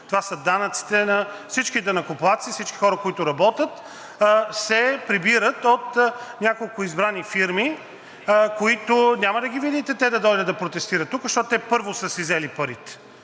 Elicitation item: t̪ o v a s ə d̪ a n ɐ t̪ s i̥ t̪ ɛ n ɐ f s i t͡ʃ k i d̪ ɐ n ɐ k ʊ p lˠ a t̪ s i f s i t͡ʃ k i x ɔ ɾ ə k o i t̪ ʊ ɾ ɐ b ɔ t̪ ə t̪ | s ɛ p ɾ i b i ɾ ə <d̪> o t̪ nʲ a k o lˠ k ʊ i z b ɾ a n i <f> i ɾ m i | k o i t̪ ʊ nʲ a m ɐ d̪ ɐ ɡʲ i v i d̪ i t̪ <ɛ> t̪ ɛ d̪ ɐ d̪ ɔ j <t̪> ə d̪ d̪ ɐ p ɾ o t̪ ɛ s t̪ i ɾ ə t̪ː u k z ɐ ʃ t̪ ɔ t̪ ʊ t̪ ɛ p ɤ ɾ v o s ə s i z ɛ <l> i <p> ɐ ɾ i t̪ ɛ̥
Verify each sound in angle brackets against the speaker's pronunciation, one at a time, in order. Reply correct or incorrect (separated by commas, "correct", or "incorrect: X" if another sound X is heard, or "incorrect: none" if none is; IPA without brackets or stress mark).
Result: incorrect: t̪, correct, correct, incorrect: d̪, correct, correct